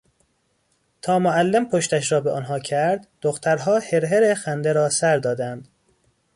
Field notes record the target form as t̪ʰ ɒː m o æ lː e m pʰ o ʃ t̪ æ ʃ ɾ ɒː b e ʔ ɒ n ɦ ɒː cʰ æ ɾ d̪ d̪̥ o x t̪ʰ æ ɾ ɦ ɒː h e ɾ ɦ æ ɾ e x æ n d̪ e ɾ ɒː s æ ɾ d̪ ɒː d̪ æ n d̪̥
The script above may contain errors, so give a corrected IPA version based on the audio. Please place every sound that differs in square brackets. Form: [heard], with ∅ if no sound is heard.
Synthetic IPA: t̪ʰ ɒː m o æ lː e m pʰ o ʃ t̪ æ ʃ ɾ ɒː b e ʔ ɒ n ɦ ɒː cʰ æ ɾ d̪ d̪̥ o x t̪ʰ æ ɾ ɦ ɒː h e ɾ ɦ [e] ɾ e x æ n d̪ e ɾ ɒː s æ ɾ d̪ ɒː d̪ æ n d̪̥